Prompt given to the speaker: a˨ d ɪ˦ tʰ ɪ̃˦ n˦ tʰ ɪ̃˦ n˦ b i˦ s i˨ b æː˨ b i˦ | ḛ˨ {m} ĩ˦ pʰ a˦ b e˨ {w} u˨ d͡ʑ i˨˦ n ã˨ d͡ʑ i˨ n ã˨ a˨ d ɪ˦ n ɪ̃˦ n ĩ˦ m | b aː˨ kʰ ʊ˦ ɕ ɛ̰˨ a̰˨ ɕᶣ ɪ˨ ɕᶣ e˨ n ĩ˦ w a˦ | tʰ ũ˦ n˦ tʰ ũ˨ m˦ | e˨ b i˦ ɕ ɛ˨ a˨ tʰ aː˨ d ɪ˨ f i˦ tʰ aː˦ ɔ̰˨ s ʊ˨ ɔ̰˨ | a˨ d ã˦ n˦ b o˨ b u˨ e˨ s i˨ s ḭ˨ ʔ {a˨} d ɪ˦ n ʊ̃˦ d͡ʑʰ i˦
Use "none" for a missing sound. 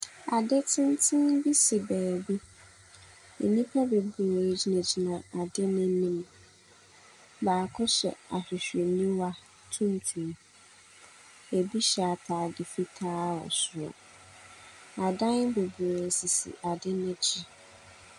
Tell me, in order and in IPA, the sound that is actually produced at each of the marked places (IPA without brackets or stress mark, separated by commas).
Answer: n, b, a˨